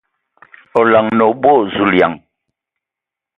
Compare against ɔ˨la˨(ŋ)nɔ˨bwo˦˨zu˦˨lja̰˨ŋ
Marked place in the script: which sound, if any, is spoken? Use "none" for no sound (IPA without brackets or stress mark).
ŋ